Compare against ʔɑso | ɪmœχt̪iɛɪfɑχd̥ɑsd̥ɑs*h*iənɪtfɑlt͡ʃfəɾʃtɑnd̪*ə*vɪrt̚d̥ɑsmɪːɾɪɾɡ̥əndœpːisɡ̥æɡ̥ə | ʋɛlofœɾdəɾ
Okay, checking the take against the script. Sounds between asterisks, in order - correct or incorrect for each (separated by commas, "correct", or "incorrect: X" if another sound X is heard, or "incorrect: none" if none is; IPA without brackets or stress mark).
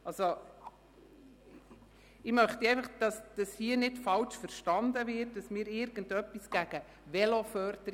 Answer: correct, correct